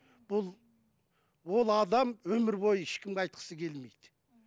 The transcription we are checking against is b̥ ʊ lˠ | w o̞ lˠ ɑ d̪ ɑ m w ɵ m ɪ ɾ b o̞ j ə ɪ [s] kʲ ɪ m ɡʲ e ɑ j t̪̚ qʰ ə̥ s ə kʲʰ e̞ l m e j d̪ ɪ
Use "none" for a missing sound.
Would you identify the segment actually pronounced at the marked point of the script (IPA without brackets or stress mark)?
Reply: ʃ